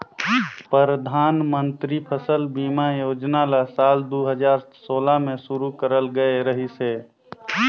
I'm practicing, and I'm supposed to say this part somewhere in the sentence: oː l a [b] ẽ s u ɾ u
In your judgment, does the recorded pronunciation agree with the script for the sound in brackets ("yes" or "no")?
no